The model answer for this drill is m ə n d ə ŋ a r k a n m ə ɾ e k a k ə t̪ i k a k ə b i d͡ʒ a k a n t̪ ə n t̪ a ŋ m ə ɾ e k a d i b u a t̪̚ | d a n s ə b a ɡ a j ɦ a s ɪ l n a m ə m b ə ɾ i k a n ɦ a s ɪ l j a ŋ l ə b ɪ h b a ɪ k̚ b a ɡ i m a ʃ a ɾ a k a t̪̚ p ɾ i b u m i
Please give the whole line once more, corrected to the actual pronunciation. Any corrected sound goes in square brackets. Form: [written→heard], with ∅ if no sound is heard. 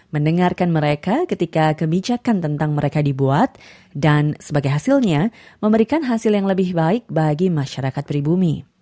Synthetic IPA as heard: m ə n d ə ŋ a r k a n m ə ɾ e k a k ə t̪ i k a k ə b i d͡ʒ a k a n t̪ ə n t̪ a ŋ m ə ɾ e k a d i b u a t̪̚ | d a n s ə b a ɡ a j ɦ a s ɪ l [n→ɲ] a m ə m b ə ɾ i k a n ɦ a s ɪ l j a ŋ l ə b ɪ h b a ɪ k̚ b a ɡ i m a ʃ a ɾ a k a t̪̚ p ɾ i b u m i